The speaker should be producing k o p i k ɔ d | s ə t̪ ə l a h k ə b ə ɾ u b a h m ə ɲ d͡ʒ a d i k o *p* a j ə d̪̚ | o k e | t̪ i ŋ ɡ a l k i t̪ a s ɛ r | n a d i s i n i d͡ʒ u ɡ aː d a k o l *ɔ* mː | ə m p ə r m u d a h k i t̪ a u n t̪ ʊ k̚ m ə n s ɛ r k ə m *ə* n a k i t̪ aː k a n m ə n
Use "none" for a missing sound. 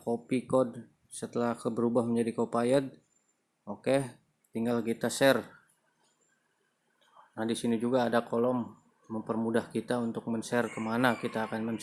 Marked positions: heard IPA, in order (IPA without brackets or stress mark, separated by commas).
p, ɔ, a